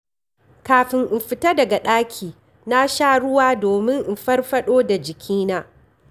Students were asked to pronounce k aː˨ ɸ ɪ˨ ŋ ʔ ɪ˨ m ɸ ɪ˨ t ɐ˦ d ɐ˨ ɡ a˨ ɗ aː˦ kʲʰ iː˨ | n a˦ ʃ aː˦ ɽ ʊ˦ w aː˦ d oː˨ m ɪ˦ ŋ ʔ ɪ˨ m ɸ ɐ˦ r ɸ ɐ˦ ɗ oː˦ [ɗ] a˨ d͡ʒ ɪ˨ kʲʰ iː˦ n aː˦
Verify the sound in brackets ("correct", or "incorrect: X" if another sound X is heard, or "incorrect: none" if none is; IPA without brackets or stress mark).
incorrect: d